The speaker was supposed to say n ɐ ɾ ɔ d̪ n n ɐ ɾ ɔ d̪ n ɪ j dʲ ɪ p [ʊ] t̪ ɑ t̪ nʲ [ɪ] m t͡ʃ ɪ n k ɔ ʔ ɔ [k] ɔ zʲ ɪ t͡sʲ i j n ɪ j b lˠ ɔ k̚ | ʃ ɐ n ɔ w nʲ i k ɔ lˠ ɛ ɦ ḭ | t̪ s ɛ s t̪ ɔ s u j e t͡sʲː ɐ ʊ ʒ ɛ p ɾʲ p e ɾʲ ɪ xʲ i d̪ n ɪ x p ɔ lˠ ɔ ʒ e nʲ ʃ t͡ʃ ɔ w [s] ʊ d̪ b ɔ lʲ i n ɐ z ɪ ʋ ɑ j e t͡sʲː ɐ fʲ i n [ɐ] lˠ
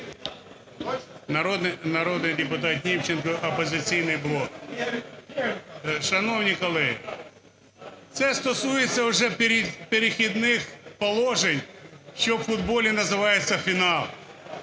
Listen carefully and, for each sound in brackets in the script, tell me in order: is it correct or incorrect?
correct, incorrect: i, incorrect: p, incorrect: f, incorrect: ɑ

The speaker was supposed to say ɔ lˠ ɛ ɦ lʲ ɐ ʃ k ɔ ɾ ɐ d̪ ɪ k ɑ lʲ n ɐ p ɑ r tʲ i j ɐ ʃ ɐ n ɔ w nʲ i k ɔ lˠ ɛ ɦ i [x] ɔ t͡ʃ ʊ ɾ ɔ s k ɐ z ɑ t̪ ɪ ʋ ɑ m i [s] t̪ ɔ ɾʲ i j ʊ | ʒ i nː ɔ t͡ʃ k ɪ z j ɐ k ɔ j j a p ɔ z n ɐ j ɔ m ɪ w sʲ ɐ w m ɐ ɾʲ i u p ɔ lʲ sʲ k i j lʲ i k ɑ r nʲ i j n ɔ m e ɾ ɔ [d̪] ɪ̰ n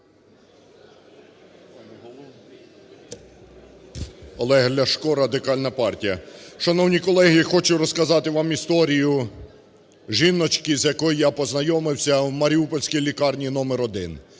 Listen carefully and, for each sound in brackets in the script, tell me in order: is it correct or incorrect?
correct, correct, correct

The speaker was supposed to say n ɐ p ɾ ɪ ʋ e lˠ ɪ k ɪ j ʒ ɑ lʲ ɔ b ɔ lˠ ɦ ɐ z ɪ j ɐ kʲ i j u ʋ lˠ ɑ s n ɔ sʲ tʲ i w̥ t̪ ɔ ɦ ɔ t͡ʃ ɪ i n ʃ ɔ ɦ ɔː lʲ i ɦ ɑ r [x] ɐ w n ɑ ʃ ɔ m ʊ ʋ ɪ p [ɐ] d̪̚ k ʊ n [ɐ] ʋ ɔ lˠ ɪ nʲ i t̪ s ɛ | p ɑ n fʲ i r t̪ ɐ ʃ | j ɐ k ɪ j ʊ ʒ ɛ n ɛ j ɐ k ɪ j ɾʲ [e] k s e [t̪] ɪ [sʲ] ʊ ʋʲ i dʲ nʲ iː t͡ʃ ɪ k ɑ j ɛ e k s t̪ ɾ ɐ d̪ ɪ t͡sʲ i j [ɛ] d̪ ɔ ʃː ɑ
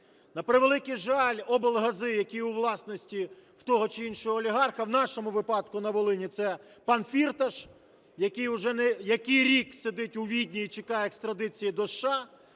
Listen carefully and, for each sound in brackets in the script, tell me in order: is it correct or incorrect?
correct, incorrect: ɑ, correct, incorrect: i, incorrect: d̪, incorrect: tʲ, incorrect: i

